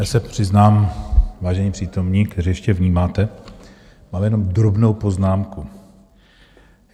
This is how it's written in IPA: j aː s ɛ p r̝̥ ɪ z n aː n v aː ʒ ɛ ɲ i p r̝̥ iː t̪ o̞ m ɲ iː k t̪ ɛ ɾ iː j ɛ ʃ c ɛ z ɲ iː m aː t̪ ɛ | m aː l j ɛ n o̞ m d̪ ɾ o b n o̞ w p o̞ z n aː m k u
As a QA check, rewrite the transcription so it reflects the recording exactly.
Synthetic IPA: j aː s ɛ p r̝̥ ɪ z n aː m v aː ʒ ɛ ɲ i p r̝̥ iː t̪ o̞ m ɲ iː k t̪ ɛ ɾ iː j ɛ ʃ c ɛ v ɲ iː m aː t̪ ɛ | m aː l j ɛ n o̞ m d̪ ɾ o b n o̞ w p o̞ z n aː m k u